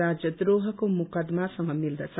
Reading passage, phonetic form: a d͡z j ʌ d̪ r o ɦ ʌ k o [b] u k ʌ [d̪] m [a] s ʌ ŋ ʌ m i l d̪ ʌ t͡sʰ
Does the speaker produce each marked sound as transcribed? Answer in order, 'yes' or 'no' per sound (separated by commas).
no, yes, yes